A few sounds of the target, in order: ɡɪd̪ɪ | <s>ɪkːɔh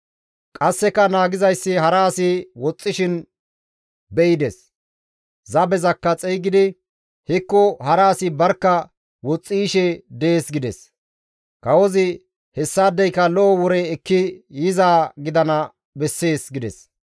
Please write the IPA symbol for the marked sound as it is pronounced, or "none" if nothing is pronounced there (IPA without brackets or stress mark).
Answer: h